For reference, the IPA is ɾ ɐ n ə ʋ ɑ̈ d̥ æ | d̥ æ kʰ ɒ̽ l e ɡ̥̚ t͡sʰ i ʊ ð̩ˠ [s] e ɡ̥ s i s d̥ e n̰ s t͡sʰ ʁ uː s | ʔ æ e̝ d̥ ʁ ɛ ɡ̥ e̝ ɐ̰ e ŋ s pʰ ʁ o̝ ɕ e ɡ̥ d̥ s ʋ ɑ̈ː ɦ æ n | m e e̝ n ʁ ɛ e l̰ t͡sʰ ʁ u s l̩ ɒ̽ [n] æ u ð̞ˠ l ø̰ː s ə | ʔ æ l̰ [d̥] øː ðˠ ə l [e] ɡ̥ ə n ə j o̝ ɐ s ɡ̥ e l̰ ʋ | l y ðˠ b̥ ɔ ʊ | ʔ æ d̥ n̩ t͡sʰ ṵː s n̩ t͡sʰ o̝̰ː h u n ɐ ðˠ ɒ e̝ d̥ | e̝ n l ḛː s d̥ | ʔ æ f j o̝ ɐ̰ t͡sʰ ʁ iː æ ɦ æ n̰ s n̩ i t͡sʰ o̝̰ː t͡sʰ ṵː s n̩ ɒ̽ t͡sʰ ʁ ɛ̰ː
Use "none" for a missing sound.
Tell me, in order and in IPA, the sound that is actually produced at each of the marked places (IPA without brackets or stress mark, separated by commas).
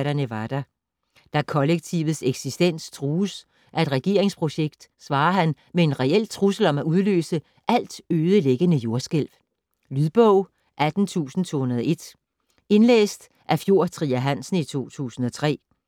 s, m, d̥, e